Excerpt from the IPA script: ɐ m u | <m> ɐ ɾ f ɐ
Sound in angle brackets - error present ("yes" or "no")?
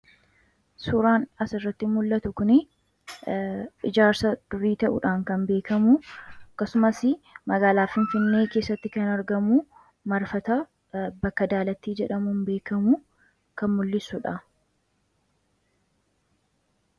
no